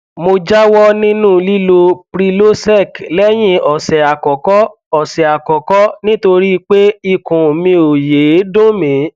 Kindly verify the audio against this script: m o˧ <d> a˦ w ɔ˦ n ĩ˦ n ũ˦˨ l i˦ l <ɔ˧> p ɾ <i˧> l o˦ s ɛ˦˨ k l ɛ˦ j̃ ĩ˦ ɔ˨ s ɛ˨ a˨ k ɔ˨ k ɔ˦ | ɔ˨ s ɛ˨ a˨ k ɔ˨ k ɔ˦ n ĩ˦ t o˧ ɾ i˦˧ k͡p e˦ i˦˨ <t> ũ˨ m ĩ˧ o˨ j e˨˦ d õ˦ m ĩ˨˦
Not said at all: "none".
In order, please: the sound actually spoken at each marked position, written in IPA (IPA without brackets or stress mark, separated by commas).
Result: d͡ʒ, o˧, i˧, k